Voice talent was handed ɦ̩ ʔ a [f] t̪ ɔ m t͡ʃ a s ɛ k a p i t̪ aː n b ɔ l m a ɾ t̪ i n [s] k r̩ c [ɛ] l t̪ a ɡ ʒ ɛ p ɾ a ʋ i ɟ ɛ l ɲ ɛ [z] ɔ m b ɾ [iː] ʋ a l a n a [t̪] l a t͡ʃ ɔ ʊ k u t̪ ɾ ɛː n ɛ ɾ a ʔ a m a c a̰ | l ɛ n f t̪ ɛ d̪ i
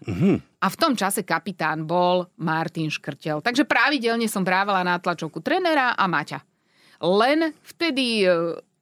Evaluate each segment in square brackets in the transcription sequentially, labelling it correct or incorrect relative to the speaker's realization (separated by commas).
correct, incorrect, correct, incorrect, incorrect, correct